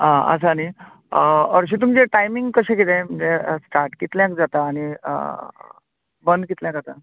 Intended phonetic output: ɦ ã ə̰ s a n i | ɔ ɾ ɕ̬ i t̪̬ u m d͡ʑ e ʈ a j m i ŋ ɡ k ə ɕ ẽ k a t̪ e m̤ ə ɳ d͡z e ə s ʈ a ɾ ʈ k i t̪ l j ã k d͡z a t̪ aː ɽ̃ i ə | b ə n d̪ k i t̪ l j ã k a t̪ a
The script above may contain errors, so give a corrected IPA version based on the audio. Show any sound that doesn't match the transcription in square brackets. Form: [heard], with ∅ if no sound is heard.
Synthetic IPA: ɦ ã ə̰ s a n i | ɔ ɾ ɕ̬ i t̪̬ u m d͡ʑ e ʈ a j m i ŋ ɡ k ə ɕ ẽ k [i] t̪ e m̤ ə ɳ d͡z e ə s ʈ a ɾ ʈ k i t̪ l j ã k d͡z a t̪ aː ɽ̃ i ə | b ə n d̪ k i t̪ l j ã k a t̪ a